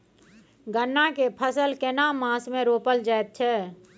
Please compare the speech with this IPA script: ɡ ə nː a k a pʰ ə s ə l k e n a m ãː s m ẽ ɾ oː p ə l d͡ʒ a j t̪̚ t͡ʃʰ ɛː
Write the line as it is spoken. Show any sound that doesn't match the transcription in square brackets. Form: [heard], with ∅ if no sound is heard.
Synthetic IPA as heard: ɡ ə nː a k [e] pʰ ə s ə l k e n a m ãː s m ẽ ɾ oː p ə l d͡ʒ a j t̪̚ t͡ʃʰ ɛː